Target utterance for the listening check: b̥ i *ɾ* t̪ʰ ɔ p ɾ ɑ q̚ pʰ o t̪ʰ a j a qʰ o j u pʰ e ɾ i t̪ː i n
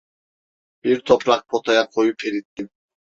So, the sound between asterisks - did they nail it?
yes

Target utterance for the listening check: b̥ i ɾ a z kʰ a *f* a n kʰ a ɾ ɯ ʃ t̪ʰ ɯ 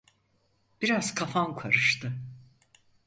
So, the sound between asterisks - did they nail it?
yes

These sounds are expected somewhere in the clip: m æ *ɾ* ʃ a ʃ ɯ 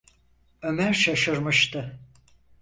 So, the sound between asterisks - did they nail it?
yes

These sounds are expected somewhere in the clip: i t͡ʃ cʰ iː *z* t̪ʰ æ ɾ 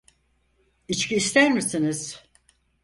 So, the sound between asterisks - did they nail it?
no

